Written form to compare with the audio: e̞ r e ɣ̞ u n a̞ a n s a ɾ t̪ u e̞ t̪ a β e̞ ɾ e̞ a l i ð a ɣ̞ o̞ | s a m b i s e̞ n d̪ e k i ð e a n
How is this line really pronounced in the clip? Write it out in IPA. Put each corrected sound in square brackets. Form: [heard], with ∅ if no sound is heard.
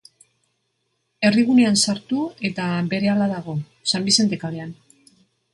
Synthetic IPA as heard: e̞ r [i] ɣ̞ u n [e̞] a n s a ɾ t̪ u e̞ t̪ a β e̞ ɾ e̞ a l [a] ð a ɣ̞ o̞ | s a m b i s e̞ n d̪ e k [a] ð e a n